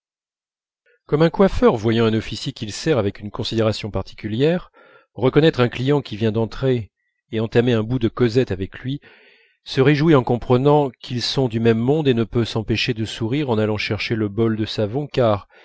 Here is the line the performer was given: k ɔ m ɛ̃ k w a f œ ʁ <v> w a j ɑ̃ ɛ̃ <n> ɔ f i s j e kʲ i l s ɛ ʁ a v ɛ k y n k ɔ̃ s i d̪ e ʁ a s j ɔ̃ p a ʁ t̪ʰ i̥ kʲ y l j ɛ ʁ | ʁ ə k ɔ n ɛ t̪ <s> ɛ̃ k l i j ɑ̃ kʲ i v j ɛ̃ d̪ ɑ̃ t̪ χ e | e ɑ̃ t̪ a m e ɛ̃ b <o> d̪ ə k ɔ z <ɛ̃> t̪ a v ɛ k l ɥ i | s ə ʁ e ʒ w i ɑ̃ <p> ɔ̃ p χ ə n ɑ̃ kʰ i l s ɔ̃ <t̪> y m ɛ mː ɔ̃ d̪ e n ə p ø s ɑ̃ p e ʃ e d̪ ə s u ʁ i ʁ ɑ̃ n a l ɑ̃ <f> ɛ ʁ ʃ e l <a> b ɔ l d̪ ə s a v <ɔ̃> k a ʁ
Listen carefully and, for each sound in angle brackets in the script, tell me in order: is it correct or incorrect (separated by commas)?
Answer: correct, correct, incorrect, incorrect, incorrect, incorrect, incorrect, incorrect, incorrect, correct